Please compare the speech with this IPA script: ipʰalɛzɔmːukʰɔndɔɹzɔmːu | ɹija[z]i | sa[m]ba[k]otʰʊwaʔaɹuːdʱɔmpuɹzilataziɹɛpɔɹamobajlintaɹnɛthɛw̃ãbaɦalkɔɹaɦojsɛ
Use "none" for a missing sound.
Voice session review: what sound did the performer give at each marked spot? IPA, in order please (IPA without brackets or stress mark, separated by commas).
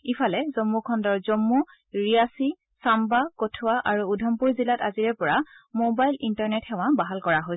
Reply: s, m, k